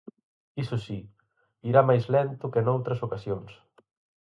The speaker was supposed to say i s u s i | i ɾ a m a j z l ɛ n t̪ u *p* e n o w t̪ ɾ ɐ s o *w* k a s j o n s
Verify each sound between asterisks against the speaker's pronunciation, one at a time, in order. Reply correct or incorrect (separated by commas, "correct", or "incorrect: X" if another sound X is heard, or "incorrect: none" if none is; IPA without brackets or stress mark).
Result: incorrect: k, incorrect: none